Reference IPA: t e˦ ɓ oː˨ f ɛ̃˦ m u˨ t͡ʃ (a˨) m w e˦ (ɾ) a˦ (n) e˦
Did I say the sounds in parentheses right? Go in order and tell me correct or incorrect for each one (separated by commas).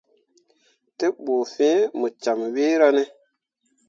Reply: correct, correct, correct